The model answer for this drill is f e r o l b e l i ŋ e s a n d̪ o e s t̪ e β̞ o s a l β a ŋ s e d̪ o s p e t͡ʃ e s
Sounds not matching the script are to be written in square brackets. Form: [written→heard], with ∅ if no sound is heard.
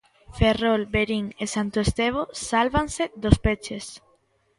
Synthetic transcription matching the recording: f e r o l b e [l→ɾ] i ŋ e s a n [d̪→t̪] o e s t̪ e β̞ o s a l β a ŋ s e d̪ o s p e t͡ʃ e s